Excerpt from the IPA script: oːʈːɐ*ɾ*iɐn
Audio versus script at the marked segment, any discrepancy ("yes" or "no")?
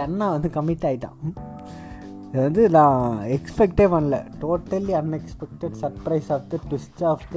yes